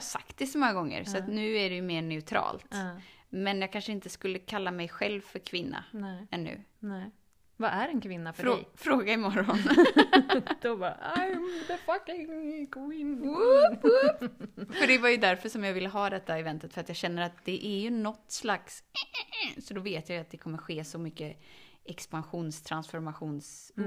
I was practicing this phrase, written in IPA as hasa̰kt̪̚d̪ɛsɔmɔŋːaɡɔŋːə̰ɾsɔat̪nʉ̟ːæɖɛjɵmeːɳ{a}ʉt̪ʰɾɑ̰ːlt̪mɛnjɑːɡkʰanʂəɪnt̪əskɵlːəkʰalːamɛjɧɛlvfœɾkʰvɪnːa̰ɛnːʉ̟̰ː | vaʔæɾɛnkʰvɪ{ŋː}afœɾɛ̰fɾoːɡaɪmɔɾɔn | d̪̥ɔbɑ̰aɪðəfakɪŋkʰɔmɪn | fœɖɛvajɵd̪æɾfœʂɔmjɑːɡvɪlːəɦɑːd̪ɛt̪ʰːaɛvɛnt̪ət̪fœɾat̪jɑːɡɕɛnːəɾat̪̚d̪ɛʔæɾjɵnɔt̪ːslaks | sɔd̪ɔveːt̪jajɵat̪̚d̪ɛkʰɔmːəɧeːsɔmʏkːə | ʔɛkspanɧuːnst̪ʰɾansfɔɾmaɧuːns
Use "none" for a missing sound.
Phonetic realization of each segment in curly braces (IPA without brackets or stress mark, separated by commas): ɛ, nː